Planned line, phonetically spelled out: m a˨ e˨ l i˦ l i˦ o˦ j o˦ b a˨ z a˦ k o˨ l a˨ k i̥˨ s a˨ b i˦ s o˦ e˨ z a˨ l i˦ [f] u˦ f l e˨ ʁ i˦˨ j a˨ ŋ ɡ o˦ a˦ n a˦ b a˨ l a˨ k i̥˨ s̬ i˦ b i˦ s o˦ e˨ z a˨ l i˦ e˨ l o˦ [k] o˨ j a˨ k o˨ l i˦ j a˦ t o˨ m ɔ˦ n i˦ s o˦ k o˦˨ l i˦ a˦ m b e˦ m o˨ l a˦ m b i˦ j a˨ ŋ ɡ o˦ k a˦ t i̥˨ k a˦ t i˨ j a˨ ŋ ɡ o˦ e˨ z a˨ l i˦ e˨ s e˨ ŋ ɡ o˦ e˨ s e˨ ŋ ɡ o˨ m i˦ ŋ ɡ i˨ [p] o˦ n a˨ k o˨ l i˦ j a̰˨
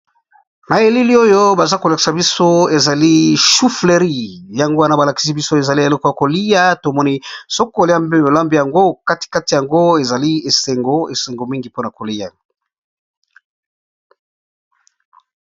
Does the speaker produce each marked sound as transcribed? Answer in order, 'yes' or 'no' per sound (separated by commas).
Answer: no, yes, yes